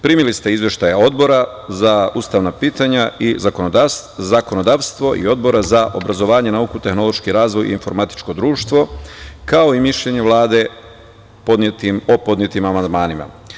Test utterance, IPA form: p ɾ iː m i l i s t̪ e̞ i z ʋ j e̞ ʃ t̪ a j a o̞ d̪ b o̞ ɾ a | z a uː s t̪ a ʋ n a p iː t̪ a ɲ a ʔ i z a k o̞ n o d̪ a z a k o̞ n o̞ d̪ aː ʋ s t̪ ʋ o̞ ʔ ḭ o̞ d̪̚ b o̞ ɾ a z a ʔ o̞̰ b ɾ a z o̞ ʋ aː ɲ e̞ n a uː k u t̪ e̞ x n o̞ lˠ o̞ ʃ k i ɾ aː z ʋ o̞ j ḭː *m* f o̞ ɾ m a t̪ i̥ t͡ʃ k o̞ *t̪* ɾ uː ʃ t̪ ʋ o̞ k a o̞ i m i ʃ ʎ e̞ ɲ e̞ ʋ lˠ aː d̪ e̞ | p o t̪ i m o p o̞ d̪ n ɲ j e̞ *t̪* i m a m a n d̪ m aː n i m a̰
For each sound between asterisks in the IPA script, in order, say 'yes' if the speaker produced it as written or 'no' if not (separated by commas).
no, no, yes